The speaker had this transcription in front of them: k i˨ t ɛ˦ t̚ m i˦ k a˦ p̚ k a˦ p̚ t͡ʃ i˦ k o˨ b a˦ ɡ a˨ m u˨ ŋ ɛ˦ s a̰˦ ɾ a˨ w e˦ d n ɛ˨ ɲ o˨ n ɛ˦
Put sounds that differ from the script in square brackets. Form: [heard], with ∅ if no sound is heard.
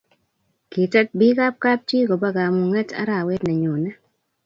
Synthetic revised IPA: k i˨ t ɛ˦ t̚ [b] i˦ k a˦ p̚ k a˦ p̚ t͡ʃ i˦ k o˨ b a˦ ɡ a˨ m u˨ ŋ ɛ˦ [t] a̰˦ ɾ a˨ w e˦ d n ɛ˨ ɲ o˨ n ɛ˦